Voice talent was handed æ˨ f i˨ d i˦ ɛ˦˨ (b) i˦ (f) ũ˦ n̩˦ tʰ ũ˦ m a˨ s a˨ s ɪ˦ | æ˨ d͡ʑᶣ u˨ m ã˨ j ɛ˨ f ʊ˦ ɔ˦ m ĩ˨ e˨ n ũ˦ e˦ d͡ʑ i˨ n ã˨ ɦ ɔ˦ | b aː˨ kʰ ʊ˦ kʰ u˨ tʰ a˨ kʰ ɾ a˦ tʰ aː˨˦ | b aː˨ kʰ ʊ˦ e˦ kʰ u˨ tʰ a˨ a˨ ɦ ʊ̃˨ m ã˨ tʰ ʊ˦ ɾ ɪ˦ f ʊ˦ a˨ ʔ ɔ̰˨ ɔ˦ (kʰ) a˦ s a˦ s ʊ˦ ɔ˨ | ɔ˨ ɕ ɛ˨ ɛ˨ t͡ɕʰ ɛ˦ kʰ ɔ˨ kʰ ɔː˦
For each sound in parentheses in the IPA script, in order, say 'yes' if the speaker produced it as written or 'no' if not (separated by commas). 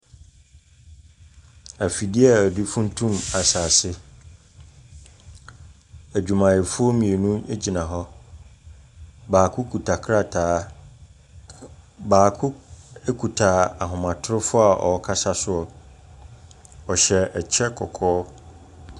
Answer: no, yes, yes